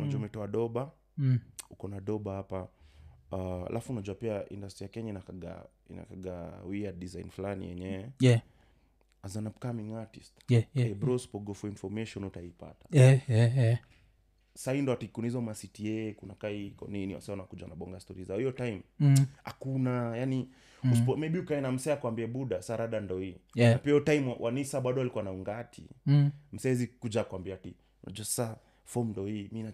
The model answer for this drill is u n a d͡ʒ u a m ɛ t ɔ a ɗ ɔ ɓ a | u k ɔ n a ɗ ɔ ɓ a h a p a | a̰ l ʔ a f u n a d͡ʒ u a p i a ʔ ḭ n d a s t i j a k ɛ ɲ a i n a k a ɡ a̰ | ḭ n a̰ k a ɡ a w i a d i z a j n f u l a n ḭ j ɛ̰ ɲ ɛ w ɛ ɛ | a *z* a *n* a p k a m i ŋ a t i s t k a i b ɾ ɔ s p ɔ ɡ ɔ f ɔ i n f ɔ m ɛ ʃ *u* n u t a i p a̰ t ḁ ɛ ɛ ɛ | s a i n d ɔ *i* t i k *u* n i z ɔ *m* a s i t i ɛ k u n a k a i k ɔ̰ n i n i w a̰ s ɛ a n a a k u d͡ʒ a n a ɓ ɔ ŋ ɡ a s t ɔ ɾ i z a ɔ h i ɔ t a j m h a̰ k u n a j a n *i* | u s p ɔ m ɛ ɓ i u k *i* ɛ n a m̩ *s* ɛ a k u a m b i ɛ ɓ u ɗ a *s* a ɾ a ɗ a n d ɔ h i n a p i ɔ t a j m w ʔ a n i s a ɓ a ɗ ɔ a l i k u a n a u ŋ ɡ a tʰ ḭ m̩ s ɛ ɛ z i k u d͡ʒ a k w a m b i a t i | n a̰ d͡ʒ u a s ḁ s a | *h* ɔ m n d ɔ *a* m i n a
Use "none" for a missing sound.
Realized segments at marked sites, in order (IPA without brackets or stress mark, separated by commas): z, n, ɔ, a, u, m, i, a, s, s, f, i